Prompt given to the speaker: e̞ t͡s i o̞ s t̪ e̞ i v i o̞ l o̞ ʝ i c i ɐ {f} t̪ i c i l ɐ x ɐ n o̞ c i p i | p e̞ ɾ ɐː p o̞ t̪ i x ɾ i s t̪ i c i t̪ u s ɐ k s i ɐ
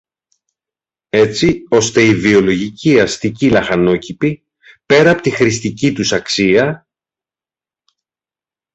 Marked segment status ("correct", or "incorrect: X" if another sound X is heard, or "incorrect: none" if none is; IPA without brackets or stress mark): incorrect: s